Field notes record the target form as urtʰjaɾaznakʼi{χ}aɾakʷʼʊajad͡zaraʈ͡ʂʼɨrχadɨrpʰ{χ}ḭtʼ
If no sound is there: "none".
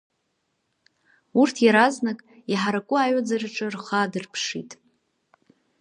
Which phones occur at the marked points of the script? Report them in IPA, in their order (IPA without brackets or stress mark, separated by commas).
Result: ħ, ʂ